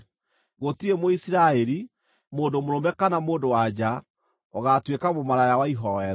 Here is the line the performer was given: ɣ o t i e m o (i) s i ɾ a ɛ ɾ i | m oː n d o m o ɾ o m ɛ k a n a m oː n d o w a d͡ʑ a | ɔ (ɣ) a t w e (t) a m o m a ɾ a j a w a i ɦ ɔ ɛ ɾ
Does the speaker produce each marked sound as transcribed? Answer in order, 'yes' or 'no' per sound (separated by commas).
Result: yes, yes, no